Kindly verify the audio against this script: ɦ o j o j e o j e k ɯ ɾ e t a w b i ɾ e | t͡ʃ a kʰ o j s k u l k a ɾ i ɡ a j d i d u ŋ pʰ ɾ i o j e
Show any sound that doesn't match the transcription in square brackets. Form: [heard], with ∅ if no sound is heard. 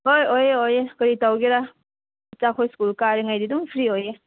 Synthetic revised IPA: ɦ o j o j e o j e k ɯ ɾ [i] t a w [ɡ] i ɾ [a] | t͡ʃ a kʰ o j s k u l k a ɾ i [ŋ] a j d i d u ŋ pʰ ɾ i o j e